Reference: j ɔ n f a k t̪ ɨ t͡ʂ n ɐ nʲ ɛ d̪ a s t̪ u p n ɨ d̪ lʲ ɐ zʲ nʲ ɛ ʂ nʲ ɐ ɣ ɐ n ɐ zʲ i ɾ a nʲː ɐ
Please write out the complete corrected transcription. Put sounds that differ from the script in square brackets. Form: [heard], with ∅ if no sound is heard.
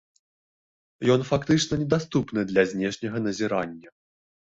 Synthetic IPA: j ɔ n f a k t̪ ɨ t͡ʂ n ɐ nʲ ɛ d̪ a s t̪ u p n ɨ d̪ lʲ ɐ zʲ nʲ ɛ ʂ nʲ ɐ ɣ ɐ n ɐ zʲ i ɾ a nʲː ɐ